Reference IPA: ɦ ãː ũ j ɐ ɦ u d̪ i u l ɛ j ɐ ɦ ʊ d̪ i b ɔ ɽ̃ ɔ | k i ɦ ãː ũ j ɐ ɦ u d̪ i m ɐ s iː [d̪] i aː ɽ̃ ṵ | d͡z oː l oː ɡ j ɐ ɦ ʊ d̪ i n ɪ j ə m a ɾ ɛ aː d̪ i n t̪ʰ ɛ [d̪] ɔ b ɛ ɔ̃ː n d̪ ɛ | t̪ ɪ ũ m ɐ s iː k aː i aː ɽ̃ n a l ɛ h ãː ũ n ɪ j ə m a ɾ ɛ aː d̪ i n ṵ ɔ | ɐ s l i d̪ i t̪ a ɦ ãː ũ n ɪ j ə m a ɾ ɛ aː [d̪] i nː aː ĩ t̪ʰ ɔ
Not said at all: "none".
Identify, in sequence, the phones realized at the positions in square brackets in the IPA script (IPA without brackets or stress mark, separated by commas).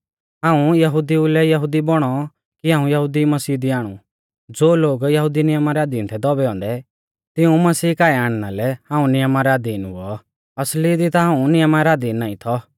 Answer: d̪, d̪, d̪